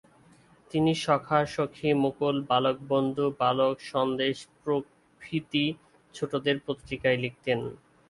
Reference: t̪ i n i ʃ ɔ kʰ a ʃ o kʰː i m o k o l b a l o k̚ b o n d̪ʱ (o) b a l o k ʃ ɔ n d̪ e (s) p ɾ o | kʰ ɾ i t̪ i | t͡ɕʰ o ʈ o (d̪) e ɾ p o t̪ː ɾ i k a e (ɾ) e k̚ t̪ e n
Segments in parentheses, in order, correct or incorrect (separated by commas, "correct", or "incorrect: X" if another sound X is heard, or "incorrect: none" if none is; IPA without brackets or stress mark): incorrect: u, incorrect: ʃ, correct, incorrect: l